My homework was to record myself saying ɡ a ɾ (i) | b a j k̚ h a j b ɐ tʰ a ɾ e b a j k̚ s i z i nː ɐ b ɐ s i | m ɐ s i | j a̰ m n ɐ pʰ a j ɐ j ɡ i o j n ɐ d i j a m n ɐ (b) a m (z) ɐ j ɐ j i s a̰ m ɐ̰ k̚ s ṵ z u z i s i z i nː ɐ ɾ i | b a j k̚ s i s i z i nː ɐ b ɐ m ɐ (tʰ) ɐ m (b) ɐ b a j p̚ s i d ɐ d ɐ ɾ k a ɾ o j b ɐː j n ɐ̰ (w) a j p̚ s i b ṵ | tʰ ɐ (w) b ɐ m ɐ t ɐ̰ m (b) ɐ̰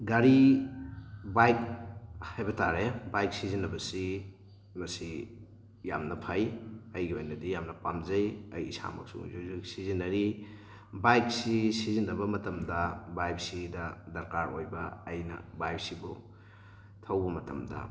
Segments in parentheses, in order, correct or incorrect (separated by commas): correct, incorrect, correct, incorrect, incorrect, incorrect, correct, incorrect